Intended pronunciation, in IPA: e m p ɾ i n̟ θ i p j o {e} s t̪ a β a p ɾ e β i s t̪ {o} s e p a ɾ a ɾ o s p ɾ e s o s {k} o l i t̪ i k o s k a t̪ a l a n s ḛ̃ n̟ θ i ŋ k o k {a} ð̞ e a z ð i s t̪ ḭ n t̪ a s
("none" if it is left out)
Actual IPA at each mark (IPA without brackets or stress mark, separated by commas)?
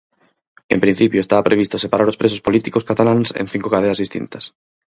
e, o, p, a